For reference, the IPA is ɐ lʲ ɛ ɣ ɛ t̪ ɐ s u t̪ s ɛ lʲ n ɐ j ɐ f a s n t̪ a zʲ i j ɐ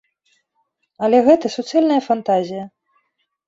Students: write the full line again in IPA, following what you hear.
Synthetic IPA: ɐ lʲ ɛ ɣ ɛ t̪ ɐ s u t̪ s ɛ lʲ n ɐ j ɐ f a n t̪ a zʲ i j ɐ